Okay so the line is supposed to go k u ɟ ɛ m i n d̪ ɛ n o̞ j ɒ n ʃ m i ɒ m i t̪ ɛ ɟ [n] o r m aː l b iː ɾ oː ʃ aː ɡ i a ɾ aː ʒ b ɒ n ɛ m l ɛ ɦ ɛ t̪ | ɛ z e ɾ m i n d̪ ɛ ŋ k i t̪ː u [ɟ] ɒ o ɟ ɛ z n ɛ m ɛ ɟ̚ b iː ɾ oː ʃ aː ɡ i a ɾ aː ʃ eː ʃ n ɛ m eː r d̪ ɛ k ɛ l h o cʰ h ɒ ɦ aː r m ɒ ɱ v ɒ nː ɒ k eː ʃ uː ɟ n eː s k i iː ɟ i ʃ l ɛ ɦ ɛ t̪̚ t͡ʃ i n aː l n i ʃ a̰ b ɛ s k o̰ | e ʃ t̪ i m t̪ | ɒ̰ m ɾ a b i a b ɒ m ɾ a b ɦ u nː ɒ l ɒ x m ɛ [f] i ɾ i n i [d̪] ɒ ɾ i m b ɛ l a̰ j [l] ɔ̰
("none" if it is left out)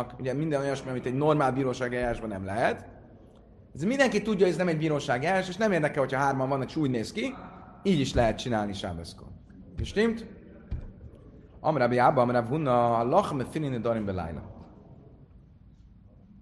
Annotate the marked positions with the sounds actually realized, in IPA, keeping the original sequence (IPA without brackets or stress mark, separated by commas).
n, ɟː, f, d̪, l